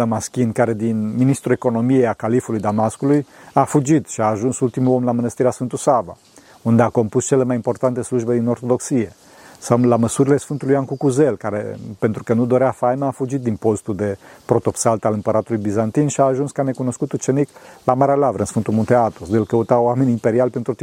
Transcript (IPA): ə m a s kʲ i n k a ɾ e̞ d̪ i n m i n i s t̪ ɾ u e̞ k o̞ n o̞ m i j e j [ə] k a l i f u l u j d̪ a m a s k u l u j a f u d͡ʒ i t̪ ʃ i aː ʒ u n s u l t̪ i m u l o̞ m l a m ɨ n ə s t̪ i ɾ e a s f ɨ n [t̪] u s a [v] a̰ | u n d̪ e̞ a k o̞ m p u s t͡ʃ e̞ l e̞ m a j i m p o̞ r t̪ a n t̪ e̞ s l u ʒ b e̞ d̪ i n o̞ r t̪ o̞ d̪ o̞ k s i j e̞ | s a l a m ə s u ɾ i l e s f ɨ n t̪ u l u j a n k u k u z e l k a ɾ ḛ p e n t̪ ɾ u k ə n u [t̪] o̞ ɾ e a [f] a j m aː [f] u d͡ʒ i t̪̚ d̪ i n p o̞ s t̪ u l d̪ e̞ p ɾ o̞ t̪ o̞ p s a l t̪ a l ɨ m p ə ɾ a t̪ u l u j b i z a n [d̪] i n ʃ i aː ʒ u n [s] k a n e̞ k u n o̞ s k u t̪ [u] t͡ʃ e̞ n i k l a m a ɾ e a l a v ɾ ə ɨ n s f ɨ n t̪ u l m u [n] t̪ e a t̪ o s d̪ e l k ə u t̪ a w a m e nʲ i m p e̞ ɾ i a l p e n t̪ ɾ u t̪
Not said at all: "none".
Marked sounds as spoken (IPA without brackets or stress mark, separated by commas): a, t̪, v, d̪, f, f, t̪, s, u, n